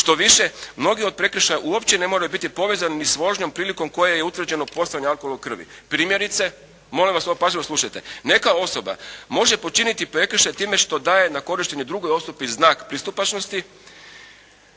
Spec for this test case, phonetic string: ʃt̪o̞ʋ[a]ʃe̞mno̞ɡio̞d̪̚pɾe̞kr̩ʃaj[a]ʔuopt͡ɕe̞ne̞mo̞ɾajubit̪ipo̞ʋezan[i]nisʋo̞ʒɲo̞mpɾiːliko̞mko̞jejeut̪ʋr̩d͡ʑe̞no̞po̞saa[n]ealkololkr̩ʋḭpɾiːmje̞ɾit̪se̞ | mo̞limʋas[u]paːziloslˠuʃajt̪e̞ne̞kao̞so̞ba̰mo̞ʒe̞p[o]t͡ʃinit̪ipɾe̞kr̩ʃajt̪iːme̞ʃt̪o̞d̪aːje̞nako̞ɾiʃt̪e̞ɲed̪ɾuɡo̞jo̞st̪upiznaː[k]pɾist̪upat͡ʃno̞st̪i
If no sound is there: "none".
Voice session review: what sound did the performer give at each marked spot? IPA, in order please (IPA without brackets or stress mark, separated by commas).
i, a, i, ɲ, o, o, k